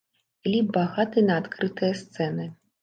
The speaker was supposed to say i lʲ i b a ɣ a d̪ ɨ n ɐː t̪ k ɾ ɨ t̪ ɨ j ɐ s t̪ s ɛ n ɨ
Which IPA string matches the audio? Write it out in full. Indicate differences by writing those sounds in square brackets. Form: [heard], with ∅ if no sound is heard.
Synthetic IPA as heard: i lʲ i b a ɣ a [t̪] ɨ n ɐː t̪ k ɾ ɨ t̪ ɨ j ɐ s t̪ s ɛ n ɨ

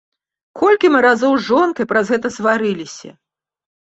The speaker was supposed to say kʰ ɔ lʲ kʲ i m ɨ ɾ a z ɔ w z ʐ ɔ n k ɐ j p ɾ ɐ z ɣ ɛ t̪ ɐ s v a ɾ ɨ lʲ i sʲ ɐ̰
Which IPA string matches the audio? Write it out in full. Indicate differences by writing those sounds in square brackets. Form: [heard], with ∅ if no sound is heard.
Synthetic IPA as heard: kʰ ɔ lʲ kʲ i m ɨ ɾ a z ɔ w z ʐ ɔ n k ɐ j p ɾ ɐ z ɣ ɛ t̪ ɐ s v a ɾ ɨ lʲ i sʲ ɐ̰

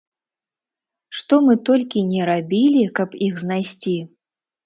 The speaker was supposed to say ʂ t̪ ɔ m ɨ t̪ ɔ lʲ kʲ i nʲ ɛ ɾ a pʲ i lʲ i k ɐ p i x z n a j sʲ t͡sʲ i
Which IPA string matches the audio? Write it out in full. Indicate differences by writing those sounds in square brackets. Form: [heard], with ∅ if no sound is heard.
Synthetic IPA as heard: ʂ t̪ ɔ m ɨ t̪ ɔ lʲ kʲ i nʲ ɛ ɾ a [bʲ] i lʲ i k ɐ p i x z n a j sʲ t͡sʲ i

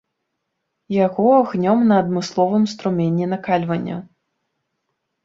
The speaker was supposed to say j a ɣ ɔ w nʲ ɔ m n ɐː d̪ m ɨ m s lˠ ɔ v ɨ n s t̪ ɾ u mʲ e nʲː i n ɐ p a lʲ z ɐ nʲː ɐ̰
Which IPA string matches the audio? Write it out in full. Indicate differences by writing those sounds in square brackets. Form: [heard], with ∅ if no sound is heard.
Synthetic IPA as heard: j a ɣ ɔ [ɣ] nʲ ɔ m n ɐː d̪ m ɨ [∅] s lˠ ɔ v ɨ [m] s t̪ ɾ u mʲ e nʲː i n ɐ [k] a lʲ [v] ɐ nʲː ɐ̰

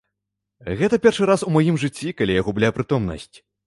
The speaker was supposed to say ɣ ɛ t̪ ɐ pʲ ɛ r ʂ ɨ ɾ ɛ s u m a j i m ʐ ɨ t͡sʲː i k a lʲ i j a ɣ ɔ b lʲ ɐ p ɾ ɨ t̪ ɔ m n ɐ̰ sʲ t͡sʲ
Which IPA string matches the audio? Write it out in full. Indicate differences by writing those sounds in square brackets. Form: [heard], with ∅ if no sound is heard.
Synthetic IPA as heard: ɣ ɛ t̪ ɐ pʲ ɛ r ʂ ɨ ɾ [a] s u m a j i m ʐ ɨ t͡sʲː i k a lʲ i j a ɣ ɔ b lʲ [a] p ɾ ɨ t̪ ɔ m n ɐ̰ sʲ t͡sʲ

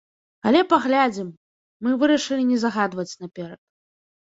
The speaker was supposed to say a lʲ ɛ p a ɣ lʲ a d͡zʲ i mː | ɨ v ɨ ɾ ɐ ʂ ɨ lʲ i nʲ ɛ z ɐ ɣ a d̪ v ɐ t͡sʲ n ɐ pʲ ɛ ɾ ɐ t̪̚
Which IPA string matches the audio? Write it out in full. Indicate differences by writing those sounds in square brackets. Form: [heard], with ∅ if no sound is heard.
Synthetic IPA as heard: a lʲ ɛ p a ɣ lʲ a d͡zʲ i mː | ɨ v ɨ ɾ ɐ ʂ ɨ lʲ i nʲ ɛ z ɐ ɣ a d̪ v ɐ t͡sʲ n ɐ pʲ ɛ ɾ ɐ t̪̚

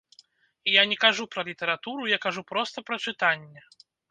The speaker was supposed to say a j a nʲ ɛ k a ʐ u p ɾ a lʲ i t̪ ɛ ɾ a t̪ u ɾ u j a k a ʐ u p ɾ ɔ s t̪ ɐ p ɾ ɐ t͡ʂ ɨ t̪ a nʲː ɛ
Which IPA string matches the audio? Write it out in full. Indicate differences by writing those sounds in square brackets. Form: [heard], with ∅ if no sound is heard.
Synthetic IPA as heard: [i] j a nʲ ɛ k a ʐ u p ɾ [ɐ] lʲ i t̪ ɛ ɾ a t̪ u ɾ u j a k a ʐ u p ɾ ɔ s t̪ ɐ p ɾ ɐ t͡ʂ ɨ t̪ a nʲː ɛ

